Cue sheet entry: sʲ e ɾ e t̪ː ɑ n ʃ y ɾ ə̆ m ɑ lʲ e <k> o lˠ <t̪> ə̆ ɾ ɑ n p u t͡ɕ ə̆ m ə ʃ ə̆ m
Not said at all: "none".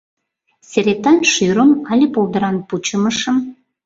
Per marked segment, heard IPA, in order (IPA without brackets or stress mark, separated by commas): p, d̪